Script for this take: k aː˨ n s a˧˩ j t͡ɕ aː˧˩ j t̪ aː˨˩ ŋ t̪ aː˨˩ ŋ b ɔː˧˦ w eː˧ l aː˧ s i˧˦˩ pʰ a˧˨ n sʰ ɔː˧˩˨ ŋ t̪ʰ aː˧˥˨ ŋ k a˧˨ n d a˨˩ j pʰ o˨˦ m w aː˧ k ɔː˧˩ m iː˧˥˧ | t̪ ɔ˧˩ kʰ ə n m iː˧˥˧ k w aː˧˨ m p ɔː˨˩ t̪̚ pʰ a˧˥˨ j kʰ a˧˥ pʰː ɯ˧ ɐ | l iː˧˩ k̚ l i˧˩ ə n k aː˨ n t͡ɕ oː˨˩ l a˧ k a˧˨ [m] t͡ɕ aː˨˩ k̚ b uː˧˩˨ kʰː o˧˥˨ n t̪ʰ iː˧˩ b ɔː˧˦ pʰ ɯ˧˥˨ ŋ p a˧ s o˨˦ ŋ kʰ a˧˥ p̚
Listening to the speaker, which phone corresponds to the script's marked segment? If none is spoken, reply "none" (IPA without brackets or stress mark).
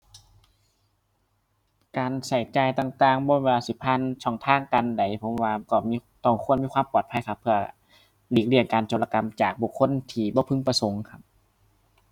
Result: m